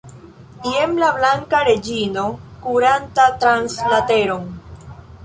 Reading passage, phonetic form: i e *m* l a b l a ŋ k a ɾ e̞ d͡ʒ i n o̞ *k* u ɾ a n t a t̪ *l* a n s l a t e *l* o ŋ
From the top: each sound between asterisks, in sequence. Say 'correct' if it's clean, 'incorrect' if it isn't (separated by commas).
correct, correct, incorrect, incorrect